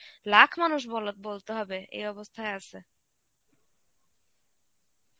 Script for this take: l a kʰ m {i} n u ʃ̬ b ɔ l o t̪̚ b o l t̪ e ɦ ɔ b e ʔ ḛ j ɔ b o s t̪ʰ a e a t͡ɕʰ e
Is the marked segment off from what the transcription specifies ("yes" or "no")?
yes